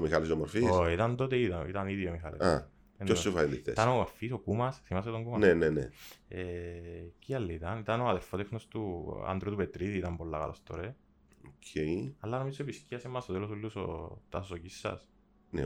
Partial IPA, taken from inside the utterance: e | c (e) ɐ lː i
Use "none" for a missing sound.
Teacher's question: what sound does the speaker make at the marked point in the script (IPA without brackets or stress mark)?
i